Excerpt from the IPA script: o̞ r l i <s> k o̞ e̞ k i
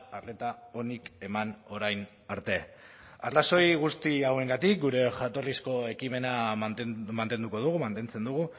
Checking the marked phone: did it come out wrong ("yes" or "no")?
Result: no